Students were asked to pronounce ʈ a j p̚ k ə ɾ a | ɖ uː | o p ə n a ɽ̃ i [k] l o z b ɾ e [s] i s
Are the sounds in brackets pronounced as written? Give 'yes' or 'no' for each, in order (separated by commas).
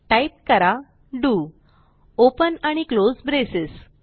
yes, yes